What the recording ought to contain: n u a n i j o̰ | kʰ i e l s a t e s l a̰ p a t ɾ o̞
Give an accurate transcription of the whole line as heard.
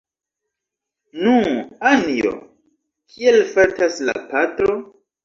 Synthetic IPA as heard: n u a n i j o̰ | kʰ i e l f a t a s l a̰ p a t ɾ o̞